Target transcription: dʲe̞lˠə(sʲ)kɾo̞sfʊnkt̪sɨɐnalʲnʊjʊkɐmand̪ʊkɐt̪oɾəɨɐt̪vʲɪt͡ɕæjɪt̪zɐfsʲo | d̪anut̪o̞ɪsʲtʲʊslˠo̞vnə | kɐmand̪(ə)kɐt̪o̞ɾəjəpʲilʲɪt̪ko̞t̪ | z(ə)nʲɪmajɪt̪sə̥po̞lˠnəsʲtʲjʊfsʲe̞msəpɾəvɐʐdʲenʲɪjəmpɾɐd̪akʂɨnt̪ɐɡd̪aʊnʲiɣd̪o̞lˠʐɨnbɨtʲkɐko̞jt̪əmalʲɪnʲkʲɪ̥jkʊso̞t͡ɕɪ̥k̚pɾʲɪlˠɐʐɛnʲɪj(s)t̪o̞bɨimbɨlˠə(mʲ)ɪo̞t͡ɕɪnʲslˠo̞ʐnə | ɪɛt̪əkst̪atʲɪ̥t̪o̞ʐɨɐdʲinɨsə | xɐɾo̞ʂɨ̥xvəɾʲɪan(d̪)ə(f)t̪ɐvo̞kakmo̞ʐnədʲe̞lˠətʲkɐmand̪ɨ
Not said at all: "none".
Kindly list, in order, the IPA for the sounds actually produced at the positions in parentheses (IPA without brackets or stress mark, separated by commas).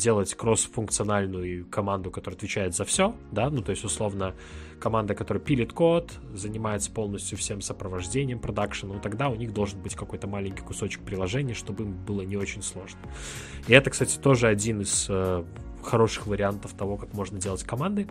tʲ, ə, ə, ʂ, nʲ, t̪, f